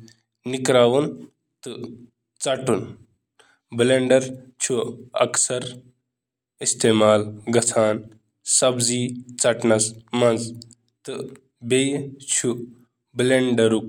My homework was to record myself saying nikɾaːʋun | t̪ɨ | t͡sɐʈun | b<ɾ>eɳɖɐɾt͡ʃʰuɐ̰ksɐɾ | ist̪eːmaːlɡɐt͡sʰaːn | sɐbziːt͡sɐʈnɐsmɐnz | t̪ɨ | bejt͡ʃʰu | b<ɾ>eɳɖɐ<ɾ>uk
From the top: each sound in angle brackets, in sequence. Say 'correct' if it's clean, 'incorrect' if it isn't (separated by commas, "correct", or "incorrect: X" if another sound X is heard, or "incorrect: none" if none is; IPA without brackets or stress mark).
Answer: incorrect: l, incorrect: l, correct